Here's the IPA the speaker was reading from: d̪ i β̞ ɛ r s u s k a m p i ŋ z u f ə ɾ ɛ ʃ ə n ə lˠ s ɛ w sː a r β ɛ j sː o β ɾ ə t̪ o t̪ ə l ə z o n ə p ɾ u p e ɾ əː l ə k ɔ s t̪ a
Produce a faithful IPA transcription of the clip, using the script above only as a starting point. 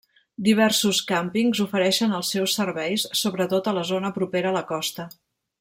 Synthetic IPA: d̪ i β̞ ɛ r s u s k a m p i ŋ z u f ə ɾ ɛ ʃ ə n ə lˠ s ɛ w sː ə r β ɛ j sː o β ɾ ə t̪ o t̪ ə l ə z o n ə p ɾ u p e ɾ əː l ə k ɔ s t̪ ə